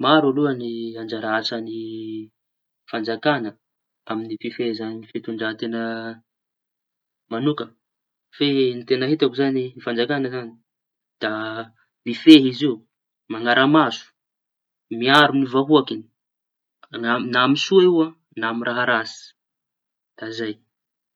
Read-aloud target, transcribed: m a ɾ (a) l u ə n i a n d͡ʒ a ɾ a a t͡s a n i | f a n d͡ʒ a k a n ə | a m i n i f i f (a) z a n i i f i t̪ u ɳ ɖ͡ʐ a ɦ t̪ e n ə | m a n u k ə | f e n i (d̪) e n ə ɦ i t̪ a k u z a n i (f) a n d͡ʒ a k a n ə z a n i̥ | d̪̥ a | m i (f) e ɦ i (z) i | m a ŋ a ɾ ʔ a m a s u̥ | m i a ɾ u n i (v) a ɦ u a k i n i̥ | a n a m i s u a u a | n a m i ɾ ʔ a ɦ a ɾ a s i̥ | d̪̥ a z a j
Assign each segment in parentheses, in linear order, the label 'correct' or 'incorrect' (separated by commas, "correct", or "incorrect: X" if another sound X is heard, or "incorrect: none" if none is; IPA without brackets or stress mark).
correct, incorrect: e, incorrect: t̪, correct, correct, correct, correct